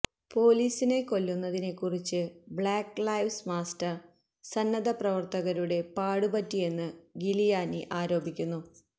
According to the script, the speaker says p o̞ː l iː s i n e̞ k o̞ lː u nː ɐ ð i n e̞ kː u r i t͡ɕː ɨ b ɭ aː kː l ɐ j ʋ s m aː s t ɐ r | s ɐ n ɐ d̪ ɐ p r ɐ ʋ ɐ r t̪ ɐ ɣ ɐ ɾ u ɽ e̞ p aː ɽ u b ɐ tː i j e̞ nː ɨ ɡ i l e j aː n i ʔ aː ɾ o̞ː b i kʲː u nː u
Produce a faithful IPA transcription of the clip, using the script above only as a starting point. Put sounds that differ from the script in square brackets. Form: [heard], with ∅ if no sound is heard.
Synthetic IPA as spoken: p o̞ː l iː s i n e̞ k o̞ lː u nː ɐ ð i n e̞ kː u r i t͡ɕː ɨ b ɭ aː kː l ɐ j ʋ s m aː s t ɐ r | s ɐ [nː] ɐ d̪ ɐ p r ɐ ʋ ɐ r t̪ ɐ ɣ ɐ ɾ u ɽ e̞ p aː ɽ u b ɐ tː i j e̞ nː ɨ ɡ i l [i] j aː n i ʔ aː ɾ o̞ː b i kʲː u nː u